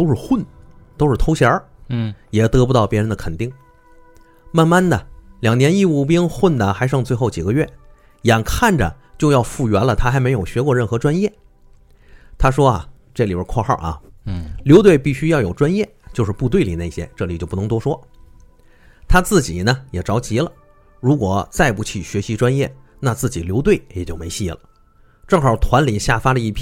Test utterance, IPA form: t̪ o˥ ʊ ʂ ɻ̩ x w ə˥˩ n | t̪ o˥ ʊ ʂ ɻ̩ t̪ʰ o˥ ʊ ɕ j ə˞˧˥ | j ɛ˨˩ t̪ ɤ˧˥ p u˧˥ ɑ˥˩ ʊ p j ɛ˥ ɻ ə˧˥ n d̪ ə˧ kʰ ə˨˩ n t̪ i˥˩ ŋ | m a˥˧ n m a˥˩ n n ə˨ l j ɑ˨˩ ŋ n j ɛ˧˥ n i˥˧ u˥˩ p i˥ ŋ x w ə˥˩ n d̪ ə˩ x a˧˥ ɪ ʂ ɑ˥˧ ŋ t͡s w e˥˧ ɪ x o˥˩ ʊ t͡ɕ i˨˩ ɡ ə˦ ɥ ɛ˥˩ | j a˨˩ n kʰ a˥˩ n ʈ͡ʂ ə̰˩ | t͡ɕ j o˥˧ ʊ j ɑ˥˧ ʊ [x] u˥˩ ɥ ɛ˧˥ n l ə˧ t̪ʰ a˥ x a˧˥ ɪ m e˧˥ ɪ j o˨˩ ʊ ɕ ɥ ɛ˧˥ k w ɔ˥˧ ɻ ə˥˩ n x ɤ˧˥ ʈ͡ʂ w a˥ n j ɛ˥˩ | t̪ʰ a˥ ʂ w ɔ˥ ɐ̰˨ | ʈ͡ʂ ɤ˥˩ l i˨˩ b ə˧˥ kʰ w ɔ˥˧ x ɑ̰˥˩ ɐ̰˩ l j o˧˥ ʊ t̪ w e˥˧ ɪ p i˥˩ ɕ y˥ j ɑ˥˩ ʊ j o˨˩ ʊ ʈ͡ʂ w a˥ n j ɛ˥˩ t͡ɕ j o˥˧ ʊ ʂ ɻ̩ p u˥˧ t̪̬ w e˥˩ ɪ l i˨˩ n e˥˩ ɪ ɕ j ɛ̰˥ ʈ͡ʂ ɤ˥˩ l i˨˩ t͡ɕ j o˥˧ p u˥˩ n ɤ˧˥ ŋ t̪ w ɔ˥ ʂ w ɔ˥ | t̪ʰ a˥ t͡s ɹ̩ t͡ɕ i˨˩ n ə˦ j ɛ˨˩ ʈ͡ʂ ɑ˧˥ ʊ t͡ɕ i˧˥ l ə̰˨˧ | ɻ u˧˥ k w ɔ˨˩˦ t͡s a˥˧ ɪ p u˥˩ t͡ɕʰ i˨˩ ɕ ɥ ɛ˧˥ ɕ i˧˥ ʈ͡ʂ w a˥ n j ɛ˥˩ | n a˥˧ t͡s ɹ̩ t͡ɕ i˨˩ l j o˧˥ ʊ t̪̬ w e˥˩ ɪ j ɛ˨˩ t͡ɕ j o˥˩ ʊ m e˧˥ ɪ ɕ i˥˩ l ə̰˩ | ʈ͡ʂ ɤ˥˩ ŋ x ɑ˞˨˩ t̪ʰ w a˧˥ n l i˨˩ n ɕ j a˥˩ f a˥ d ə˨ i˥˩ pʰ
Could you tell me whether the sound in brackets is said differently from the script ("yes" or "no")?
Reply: yes